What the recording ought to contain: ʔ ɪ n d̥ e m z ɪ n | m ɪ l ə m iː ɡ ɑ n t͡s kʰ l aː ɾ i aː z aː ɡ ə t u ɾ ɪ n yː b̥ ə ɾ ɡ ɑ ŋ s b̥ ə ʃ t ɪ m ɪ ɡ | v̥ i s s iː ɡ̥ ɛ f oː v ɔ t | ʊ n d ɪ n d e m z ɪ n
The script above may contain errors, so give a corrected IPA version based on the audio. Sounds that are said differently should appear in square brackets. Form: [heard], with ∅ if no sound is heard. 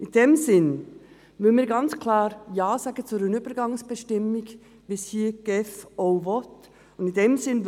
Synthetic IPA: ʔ ɪ n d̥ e m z ɪ n | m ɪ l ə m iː ɡ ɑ n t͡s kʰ l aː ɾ [j] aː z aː ɡ ə [t͡s] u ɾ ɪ n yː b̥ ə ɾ ɡ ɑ ŋ s b̥ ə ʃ t ɪ m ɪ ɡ | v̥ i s [h] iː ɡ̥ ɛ f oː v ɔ t | ʊ n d ɪ n d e m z ɪ n